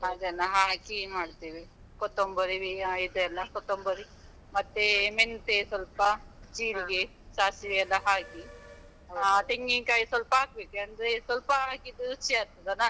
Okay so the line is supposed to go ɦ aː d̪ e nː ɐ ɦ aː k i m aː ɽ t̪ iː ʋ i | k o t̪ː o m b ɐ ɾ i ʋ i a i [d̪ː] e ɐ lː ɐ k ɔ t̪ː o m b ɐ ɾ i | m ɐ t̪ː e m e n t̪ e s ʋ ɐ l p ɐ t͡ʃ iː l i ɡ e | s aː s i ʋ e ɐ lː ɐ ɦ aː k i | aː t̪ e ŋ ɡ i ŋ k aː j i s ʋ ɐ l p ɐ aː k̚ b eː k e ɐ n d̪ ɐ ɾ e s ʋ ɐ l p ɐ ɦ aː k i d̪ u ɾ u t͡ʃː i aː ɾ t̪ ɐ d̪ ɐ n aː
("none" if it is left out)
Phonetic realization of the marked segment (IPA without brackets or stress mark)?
d̪